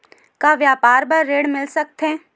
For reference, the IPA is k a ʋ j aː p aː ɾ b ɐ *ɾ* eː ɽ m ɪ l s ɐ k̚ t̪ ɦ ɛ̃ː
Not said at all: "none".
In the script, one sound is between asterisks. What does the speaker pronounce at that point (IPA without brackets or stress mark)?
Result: ɾː